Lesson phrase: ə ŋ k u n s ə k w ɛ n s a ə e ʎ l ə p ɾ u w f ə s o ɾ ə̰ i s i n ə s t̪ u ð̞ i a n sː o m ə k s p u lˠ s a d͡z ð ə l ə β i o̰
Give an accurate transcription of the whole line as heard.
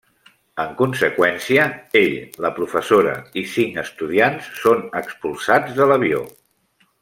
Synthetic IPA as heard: ə ŋ k u n s ə k w ɛ n s i ə e ʎ l ə p ɾ u f ə s o ɾ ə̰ i s i ŋ ə s t̪ u ð̞ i a n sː o n ə k s p u lˠ s a d͡z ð ə l ə β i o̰